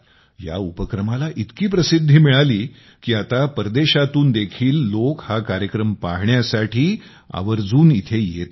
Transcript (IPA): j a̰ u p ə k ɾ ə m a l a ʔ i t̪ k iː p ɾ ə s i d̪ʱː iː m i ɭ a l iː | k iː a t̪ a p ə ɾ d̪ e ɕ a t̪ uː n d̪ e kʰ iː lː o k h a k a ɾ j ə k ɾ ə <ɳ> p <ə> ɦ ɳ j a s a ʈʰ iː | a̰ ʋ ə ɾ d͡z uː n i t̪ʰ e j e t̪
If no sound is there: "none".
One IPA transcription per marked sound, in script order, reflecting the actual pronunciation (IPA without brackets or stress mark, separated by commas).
m, a